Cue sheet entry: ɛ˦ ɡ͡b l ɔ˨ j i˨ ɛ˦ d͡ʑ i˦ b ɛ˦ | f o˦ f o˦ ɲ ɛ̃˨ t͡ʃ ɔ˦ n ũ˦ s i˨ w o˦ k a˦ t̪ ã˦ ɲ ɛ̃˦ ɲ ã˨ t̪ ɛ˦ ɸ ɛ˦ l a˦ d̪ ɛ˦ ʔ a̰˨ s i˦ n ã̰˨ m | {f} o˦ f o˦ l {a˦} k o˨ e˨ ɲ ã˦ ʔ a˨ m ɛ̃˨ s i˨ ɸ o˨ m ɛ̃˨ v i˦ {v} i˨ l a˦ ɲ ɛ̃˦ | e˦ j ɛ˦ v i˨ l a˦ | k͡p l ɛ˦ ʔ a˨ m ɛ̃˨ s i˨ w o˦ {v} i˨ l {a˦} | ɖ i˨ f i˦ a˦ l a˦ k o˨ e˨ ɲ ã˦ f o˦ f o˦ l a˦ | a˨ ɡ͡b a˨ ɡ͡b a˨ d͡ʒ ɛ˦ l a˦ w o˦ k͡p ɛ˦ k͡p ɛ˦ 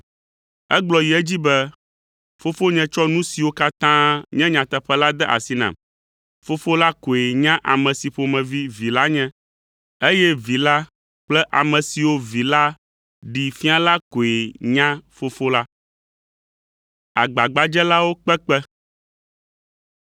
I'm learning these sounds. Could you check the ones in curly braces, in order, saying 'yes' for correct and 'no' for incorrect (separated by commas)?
yes, yes, yes, yes, yes